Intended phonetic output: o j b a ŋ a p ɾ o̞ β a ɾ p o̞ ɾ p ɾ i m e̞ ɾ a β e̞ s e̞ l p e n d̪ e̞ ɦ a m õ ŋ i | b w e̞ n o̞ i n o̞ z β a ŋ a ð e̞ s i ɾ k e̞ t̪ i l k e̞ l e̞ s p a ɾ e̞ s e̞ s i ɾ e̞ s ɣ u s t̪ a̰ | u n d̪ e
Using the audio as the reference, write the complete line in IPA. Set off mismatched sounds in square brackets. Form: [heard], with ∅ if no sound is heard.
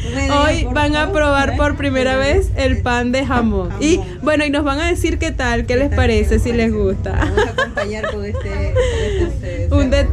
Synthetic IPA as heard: o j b a ŋ a p ɾ o̞ β a ɾ p o̞ ɾ p ɾ i m e̞ ɾ a β e̞ s e̞ l p [a] n d̪ e̞ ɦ a m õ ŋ i | b w e̞ n o̞ i n o̞ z β a ŋ a ð e̞ s i ɾ k e̞ t̪ [a] l k e̞ l e̞ s p a ɾ e̞ s e̞ s i [l] e̞ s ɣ u s t̪ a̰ | u n d̪ e